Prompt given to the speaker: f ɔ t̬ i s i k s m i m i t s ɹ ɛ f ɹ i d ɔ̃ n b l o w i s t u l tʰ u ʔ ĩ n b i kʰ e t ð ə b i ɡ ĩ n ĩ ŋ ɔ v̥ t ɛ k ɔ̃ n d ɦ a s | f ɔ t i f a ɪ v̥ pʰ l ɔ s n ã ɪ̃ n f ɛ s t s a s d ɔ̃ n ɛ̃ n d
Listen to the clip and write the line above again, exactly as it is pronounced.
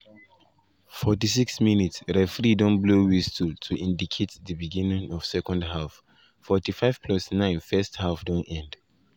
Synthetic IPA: f ɔ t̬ i s i k s m i n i t s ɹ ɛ f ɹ i d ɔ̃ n b l o w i s t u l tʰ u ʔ ĩ n d i kʰ e t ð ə b i ɡ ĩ n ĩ ŋ ɔ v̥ s ɛ k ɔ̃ n d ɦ a f | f ɔ t i f a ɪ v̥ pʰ l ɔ s n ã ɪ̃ n f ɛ s t h a f d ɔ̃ n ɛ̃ n d